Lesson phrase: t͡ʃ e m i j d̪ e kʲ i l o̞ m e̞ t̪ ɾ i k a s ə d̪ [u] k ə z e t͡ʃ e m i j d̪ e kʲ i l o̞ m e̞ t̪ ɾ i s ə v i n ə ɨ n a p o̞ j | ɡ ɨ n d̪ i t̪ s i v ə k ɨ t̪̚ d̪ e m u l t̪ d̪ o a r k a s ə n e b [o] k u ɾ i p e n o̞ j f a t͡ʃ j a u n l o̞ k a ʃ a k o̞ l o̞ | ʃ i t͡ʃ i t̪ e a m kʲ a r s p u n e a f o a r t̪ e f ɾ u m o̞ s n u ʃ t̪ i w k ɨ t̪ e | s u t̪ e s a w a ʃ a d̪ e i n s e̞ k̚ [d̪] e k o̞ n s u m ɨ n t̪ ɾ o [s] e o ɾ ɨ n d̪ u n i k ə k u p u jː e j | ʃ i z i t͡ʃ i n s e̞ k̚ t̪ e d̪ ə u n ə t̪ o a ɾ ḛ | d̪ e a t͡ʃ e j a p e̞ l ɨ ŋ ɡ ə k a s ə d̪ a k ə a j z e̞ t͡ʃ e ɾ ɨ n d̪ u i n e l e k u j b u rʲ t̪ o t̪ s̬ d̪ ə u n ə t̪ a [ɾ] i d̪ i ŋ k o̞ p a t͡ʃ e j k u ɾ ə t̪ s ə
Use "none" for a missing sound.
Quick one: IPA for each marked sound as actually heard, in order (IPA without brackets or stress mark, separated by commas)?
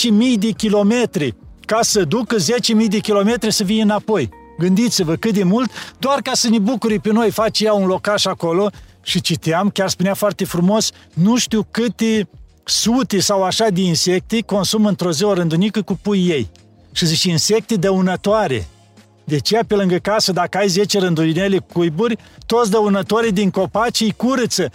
u, u, t̪, z, ɾ